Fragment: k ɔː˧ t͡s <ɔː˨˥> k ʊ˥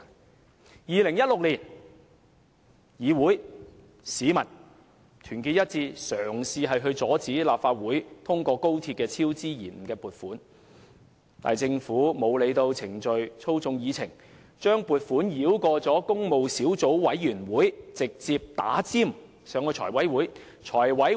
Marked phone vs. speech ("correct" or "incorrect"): correct